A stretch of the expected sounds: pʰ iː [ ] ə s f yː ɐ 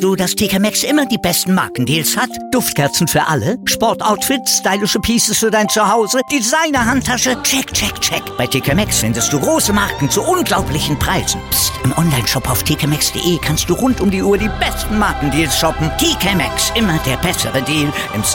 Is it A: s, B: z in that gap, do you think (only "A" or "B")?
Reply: A